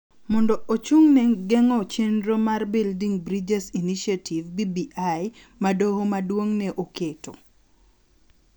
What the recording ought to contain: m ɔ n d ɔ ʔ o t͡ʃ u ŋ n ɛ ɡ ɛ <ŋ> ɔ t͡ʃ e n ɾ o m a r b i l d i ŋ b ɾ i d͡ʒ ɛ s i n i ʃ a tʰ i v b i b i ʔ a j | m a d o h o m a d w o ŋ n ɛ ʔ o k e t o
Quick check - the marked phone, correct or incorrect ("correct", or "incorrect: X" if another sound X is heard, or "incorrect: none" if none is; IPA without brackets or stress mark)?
correct